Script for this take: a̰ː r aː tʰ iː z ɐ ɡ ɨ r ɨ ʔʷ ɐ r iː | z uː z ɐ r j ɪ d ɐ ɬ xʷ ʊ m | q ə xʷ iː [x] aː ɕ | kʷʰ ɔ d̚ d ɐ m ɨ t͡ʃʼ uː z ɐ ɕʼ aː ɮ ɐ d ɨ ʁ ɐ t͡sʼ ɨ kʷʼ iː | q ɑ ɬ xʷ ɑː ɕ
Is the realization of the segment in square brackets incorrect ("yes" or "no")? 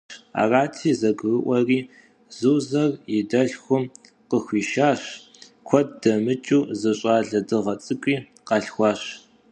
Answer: yes